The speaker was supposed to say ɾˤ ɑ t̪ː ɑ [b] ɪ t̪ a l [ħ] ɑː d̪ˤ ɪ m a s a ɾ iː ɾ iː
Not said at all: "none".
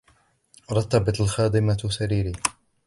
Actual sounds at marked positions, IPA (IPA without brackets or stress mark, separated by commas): b, x